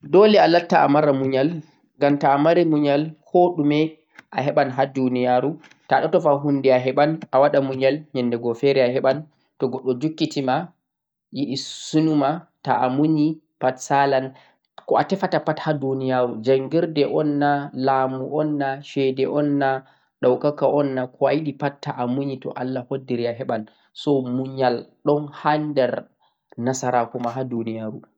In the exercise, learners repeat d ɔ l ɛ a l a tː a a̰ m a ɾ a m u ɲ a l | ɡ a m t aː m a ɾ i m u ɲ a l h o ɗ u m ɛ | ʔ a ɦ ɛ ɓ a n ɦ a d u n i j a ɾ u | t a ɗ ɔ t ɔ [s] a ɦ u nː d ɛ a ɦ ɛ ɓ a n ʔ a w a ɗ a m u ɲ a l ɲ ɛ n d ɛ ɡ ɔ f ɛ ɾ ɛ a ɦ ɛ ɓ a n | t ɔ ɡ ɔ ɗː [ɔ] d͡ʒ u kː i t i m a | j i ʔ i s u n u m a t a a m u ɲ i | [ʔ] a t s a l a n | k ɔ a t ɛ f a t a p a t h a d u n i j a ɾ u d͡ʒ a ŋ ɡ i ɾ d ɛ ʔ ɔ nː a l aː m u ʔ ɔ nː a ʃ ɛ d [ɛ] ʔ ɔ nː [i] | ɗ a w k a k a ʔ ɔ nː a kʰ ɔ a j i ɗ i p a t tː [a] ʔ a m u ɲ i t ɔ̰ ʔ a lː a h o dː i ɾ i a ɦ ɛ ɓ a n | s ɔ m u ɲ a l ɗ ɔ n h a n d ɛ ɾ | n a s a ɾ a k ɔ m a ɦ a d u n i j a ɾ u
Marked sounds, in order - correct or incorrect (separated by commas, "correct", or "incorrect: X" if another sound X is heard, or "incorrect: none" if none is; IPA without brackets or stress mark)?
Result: incorrect: f, correct, incorrect: p, correct, incorrect: a, correct